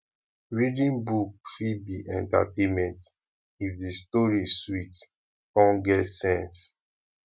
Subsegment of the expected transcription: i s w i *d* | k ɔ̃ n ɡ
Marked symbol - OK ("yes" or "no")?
no